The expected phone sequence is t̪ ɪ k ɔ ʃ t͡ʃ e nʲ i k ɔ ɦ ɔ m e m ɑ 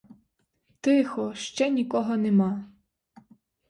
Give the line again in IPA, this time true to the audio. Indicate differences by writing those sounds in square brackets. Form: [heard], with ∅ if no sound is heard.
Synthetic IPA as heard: t̪ ɪ [x] ɔ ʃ t͡ʃ [ɛ] nʲ i k ɔ ɦ ɔ [n] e m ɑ